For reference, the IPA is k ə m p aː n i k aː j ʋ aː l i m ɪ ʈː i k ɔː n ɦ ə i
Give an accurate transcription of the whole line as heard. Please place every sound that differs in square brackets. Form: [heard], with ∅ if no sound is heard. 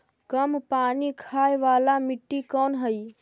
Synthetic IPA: k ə m p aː n i [kʰ] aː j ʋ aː l [a] m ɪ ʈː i k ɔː n ɦ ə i